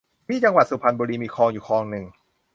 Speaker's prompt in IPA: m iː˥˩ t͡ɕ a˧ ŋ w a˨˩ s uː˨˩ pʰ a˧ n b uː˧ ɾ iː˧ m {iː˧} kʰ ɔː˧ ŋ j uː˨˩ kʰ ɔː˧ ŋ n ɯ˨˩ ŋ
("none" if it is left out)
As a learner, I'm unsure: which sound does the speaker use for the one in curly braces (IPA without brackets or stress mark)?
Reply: iː˧